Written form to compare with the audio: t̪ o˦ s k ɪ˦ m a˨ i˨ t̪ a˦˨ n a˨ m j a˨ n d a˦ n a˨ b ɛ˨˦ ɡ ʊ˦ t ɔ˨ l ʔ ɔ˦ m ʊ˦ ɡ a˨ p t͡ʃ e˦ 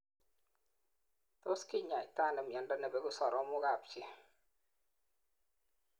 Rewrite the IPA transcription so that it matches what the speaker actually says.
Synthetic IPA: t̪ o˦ s k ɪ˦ ɲ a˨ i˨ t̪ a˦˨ n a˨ m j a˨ n d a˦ n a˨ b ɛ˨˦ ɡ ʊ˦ s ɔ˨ ɾ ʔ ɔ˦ m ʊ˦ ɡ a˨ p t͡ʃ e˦